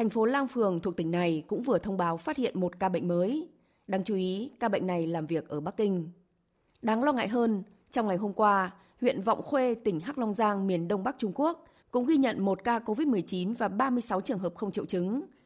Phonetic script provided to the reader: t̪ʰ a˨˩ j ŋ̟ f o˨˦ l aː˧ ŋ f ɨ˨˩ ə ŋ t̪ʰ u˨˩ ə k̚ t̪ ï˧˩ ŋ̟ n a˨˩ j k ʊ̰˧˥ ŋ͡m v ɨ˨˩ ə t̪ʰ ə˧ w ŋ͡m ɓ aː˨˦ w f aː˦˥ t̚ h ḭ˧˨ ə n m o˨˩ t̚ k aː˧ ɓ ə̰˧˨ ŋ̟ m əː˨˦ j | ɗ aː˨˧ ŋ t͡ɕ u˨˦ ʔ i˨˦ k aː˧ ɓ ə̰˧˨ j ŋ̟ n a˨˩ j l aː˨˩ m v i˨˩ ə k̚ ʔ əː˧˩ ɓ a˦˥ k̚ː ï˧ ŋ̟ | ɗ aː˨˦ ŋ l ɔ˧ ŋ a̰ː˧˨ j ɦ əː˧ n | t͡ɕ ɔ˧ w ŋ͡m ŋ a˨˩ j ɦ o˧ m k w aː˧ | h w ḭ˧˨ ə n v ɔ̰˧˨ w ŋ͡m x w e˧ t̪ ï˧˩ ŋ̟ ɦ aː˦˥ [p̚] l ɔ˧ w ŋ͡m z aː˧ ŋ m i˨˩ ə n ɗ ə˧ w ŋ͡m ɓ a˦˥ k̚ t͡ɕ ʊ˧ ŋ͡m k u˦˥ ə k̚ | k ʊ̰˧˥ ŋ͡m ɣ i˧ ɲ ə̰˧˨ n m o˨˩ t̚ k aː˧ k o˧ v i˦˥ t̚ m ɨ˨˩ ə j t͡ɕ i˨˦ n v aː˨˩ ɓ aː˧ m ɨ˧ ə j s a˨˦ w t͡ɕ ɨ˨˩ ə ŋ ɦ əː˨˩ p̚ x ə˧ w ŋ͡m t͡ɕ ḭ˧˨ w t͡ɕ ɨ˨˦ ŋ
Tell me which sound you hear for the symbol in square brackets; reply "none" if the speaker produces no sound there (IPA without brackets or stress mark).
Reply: k̚